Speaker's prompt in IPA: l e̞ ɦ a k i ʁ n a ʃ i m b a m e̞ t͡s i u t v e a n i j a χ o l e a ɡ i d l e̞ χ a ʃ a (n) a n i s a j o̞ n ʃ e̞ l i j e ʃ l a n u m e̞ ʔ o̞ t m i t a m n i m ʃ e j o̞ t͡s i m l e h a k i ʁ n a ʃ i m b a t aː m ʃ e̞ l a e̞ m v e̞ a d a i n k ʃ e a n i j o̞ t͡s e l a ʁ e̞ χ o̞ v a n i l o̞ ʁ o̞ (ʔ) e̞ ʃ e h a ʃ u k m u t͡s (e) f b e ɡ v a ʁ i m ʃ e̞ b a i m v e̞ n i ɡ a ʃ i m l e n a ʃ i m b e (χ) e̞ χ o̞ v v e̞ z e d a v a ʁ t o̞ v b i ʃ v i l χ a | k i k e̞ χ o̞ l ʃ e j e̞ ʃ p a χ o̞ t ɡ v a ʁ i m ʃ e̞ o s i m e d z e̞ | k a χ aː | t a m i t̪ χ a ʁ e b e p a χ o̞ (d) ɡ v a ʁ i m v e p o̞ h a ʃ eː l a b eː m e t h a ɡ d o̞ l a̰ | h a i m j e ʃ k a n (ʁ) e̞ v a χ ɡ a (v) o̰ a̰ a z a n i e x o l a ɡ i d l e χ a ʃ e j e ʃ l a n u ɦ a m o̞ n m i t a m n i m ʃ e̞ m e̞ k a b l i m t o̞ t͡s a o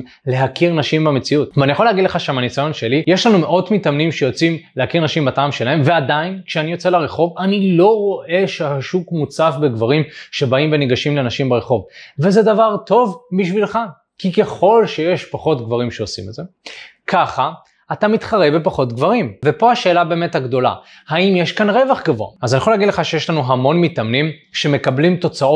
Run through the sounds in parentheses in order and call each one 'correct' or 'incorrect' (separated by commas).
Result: incorrect, correct, incorrect, incorrect, incorrect, correct, correct